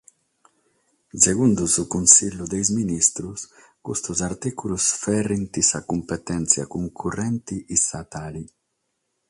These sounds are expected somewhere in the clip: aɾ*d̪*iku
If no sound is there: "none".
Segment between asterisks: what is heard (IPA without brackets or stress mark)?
t̪